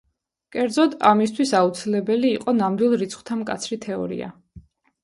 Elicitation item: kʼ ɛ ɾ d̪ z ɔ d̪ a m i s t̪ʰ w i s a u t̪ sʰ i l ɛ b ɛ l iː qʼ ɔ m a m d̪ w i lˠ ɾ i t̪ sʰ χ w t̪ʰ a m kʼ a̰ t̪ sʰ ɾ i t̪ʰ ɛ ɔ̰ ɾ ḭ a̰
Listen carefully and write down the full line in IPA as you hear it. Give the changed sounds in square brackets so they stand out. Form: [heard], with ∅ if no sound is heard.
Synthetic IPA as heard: kʼ ɛ ɾ d̪ z ɔ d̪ a m i s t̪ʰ w i s a u t̪ sʰ i l ɛ b ɛ l iː qʼ ɔ [n] a m d̪ w i lˠ ɾ i t̪ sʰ χ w t̪ʰ a m kʼ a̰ t̪ sʰ ɾ i t̪ʰ ɛ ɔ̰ ɾ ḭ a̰